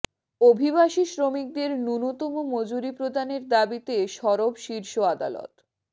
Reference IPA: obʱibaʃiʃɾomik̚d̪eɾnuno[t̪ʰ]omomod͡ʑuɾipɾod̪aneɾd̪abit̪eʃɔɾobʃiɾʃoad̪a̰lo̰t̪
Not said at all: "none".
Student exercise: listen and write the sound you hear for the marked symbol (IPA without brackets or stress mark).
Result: t̪